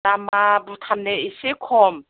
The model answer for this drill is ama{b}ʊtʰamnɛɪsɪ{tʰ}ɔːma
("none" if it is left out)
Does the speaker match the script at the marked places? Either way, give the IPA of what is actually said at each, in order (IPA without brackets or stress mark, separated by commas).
b, kʰ